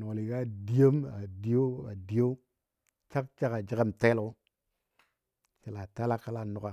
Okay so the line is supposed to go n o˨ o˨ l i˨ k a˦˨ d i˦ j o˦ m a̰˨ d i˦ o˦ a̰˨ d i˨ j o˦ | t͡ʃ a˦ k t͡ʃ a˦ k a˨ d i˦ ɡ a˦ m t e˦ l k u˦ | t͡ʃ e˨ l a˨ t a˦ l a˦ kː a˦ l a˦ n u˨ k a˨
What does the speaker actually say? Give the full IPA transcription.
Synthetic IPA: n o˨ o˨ l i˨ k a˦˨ d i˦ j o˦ m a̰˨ d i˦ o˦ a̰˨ d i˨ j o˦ | t͡ʃ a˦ k t͡ʃ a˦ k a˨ d͡ʒ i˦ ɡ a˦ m t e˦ l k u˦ | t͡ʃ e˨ l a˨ t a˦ l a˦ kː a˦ l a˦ n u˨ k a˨